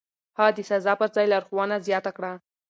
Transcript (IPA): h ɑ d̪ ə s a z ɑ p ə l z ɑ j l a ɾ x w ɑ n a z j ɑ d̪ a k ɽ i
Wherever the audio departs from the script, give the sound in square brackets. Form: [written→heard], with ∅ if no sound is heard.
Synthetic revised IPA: h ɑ d̪ ə s a z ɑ p ə [l→ɾ] z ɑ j l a ɾ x w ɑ n a z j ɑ [d̪→t̪] a k ɽ [i→a]